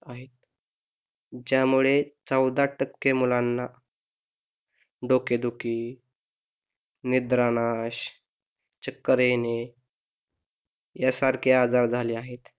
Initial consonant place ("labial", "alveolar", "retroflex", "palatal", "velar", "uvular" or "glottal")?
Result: glottal